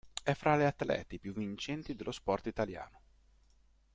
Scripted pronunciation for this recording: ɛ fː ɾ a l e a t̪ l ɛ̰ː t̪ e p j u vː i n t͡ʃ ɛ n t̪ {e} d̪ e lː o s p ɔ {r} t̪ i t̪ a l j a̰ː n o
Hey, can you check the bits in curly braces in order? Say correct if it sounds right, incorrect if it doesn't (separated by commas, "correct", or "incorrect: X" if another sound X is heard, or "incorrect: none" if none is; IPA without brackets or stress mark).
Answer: incorrect: i, correct